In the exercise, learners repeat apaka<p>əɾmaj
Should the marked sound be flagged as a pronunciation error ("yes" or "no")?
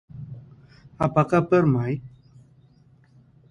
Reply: no